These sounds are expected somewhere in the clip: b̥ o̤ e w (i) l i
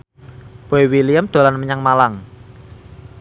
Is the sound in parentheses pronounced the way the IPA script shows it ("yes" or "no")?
yes